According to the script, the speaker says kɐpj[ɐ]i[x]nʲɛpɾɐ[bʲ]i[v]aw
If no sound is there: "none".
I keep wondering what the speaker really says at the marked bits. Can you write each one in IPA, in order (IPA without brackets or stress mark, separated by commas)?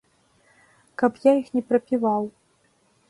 a, x, pʲ, v